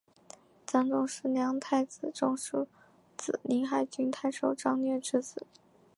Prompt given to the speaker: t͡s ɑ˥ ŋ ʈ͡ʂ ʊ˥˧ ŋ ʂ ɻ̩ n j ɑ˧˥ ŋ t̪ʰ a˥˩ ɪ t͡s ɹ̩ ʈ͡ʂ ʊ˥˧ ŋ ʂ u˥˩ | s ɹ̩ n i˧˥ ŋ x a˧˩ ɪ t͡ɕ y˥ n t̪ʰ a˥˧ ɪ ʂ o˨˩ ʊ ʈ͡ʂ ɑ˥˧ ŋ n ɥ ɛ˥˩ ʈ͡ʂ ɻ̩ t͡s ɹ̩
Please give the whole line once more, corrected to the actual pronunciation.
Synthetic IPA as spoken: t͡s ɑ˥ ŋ ʈ͡ʂ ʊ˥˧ ŋ ʂ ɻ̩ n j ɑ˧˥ ŋ t̪ʰ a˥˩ ɪ t͡s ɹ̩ ʈ͡ʂ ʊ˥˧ ŋ ʂ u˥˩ | t͡s ɹ̩ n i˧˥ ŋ x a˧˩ ɪ t͡ɕ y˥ n t̪ʰ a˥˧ ɪ ʂ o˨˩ ʊ ʈ͡ʂ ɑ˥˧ ŋ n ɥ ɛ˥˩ ʈ͡ʂ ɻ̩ t͡s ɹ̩

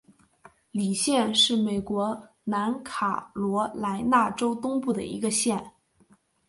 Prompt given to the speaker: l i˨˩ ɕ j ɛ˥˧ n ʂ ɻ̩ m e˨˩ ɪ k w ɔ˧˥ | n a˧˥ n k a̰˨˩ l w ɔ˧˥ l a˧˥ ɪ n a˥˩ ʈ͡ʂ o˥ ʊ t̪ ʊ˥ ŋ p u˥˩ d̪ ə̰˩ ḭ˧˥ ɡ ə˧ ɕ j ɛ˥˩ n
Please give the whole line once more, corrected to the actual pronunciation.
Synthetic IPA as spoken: l i˨˩ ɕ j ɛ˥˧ n ʂ ɻ̩ m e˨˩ ɪ k w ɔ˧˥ | n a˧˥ n kʰ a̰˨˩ l w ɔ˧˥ l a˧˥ ɪ n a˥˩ ʈ͡ʂ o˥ ʊ t̪ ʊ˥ ŋ p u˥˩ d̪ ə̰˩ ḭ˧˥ ɡ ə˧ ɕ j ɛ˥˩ n

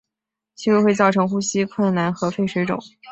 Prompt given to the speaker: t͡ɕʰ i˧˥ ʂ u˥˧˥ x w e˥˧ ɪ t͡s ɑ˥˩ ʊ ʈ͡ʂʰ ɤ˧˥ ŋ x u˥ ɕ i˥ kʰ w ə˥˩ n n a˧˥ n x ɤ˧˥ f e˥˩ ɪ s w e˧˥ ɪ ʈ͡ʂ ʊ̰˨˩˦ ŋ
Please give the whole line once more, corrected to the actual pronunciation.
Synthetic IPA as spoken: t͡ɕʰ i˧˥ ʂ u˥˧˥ x w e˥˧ ɪ t͡s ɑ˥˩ ʊ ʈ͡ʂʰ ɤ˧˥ ŋ x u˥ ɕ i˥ kʰ w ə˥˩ n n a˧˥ n x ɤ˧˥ f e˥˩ ɪ ʂ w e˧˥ ɪ ʈ͡ʂ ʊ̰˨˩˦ ŋ

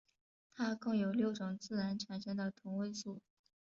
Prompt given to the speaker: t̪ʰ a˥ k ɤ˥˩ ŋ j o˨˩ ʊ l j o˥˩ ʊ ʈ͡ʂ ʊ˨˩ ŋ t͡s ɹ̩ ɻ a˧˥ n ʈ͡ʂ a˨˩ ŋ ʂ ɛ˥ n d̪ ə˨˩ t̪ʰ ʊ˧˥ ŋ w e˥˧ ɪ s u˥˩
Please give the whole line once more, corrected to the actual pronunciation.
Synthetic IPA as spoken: t̪ʰ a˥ k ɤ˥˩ ŋ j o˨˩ ʊ l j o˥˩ ʊ ʈ͡ʂ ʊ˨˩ ŋ t͡s ɹ̩ ɻ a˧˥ n ʈ͡ʂʰ a˨˩ n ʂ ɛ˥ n d̪ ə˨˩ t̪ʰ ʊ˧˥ ŋ w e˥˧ ɪ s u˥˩

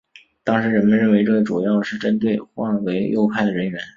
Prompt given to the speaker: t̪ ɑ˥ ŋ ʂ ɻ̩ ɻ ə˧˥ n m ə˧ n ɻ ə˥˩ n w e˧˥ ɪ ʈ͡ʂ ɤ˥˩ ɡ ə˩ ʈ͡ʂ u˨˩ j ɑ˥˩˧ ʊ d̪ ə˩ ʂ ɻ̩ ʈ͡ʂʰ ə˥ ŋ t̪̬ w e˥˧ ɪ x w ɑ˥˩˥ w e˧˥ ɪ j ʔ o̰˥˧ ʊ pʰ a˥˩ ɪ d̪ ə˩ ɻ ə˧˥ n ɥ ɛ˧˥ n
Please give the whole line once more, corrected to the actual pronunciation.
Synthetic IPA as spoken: t̪ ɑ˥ ŋ ʂ ɻ̩ ɻ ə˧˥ n m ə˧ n ɻ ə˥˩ n w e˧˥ ɪ ʈ͡ʂ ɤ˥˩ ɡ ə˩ ʈ͡ʂ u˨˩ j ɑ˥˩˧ ʊ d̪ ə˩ ʂ ɻ̩ ʈ͡ʂ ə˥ n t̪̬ w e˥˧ ɪ x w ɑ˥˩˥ w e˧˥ ɪ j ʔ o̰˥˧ ʊ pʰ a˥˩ ɪ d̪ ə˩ ɻ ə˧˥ n ɥ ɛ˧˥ n

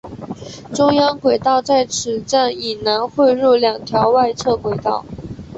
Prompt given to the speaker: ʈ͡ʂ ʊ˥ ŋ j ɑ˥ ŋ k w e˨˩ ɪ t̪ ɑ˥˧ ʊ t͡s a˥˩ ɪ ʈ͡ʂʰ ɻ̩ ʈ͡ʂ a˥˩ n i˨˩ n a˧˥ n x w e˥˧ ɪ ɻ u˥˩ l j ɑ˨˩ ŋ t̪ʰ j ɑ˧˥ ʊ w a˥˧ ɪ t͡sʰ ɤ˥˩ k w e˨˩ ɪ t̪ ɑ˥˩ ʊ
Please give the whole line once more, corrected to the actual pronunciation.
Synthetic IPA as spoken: ʈ͡ʂ ʊ˥ ŋ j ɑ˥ ŋ k w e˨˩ ɪ t̪ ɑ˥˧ ʊ t͡s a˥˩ ɪ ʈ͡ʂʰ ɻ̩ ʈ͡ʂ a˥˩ n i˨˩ n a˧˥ n x w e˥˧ ɪ ɻ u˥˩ l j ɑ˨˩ ŋ t̪ʰ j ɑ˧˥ ʊ w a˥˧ ɪ t͡sʰ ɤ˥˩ k w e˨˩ ɪ t̪ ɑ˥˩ ʊ

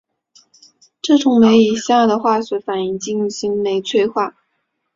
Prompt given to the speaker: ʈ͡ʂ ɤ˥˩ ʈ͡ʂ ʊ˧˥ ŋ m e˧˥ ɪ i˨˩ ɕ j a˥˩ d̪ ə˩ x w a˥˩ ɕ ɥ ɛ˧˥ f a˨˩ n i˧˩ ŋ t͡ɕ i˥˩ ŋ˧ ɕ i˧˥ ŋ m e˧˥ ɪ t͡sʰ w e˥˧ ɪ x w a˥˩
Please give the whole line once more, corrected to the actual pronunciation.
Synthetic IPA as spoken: ʈ͡ʂ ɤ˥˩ ʈ͡ʂ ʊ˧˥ ŋ m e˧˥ ɪ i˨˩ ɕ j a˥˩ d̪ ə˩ x w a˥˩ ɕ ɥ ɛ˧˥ f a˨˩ n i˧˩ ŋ t͡ɕ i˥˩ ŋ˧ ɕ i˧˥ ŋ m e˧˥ ɪ t͡sʰ w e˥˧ ɪ x w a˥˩

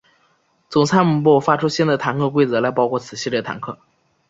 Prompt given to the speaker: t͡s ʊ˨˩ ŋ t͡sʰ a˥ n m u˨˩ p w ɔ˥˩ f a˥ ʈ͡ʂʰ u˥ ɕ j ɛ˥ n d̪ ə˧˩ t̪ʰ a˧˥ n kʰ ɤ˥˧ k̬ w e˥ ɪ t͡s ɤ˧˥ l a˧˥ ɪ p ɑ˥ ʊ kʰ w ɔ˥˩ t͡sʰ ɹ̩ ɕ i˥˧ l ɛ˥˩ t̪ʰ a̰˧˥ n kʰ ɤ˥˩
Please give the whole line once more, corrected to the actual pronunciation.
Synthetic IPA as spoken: t͡s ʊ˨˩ ŋ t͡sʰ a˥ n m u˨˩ p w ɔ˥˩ f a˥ ʈ͡ʂʰ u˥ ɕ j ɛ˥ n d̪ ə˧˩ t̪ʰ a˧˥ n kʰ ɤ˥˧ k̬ w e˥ ɪ t͡s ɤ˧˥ l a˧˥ ɪ p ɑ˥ ʊ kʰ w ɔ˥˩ t͡sʰ ɹ̩ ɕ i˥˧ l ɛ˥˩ t̪ʰ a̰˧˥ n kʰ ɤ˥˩

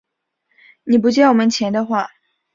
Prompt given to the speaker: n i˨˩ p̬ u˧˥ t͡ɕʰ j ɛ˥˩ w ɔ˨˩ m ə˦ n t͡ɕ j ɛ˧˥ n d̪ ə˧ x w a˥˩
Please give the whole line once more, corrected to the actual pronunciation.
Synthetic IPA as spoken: n i˨˩ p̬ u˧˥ t͡ɕ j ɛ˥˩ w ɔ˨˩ m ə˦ n t͡ɕʰ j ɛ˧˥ n d̪ ə˧ x w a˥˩

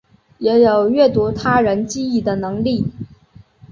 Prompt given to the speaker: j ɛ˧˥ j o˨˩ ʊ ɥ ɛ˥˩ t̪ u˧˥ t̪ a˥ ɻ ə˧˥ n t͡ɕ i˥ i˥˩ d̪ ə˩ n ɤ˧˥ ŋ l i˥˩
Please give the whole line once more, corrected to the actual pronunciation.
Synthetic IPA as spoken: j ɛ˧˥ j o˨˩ ʊ ɥ ɛ˥˩ t̪ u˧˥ t̪ʰ a˥ ɻ ə˧˥ n t͡ɕ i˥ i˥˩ d̪ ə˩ n ɤ˧˥ ŋ l i˥˩

